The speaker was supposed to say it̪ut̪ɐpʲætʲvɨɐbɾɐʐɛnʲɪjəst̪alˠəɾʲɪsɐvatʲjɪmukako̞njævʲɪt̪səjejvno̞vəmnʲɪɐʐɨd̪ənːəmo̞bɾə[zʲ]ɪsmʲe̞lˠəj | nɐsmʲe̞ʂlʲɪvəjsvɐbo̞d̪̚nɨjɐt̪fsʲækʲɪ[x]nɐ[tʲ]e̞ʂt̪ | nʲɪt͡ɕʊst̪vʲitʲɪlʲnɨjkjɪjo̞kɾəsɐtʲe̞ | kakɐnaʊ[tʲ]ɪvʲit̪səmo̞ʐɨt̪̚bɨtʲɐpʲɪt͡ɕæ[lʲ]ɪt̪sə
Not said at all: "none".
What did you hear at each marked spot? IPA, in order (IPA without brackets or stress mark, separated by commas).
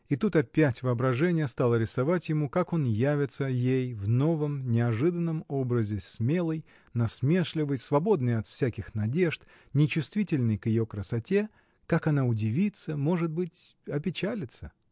zʲ, x, dʲ, dʲ, lʲ